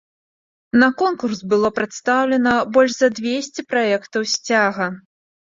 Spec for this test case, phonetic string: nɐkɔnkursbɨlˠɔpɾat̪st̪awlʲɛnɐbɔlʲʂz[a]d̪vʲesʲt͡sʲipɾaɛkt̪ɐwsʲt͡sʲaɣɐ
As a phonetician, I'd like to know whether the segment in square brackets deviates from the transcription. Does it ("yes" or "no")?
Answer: yes